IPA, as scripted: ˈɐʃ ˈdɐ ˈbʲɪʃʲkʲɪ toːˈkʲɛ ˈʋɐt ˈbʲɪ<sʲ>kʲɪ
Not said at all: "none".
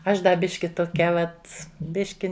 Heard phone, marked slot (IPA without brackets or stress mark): ʃʲ